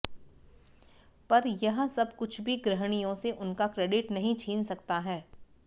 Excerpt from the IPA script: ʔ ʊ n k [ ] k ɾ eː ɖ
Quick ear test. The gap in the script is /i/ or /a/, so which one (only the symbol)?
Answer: a